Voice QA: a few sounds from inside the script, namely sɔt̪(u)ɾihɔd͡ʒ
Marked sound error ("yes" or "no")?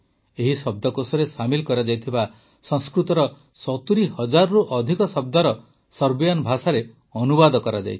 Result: no